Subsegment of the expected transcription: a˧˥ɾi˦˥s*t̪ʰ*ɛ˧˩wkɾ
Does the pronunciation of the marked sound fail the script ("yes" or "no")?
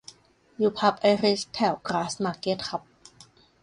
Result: no